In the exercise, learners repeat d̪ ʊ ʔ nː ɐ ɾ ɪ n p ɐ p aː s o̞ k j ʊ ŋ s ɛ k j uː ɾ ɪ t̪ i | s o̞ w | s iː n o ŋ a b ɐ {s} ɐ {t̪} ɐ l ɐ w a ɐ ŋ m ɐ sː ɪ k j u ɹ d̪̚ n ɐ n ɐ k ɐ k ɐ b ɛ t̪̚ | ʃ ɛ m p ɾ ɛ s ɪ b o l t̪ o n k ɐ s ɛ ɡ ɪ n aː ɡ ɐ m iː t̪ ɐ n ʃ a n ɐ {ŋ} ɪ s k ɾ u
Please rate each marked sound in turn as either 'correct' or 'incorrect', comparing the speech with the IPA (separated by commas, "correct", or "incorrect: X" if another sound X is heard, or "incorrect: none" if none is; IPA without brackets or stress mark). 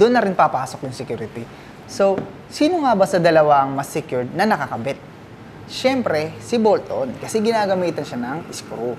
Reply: correct, incorrect: d̪, correct